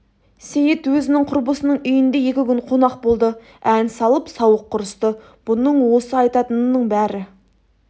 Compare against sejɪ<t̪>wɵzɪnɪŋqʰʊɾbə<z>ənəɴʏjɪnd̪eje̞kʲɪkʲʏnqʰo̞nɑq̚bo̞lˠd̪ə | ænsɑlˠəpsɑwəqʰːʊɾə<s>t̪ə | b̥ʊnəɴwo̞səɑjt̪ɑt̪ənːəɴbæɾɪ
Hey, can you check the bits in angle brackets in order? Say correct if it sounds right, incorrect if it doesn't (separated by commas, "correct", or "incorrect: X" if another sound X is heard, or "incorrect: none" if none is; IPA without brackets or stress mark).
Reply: correct, incorrect: s, correct